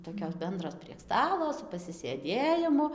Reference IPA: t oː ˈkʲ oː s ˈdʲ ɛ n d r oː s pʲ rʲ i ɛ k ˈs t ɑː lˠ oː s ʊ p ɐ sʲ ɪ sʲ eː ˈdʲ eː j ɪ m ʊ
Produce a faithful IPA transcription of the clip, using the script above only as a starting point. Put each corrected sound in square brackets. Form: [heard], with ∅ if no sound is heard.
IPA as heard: t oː ˈkʲ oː s [ˈbʲ] ɛ n d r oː s pʲ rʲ i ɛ k ˈs t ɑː lˠ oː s ʊ p ɐ sʲ ɪ sʲ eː ˈdʲ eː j ɪ m ʊ